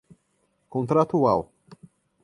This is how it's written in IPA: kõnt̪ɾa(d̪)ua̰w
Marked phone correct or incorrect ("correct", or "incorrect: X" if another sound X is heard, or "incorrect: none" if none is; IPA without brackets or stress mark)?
incorrect: t̪